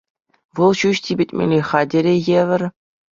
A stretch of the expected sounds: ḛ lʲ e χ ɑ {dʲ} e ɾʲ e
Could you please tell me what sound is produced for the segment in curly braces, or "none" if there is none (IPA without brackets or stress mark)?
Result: dʲ